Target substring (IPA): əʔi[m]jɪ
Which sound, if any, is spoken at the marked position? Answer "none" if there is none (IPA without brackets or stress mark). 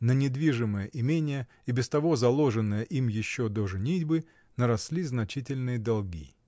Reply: m